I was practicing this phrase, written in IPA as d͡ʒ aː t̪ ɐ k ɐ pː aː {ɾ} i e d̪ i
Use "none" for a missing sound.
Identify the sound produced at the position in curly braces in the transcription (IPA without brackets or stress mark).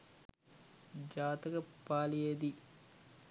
l